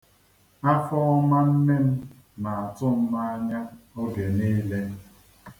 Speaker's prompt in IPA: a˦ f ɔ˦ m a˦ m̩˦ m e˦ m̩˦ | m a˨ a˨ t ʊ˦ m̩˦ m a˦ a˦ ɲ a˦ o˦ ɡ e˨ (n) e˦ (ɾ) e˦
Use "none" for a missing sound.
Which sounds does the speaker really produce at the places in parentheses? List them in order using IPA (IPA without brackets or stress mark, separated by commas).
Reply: n, l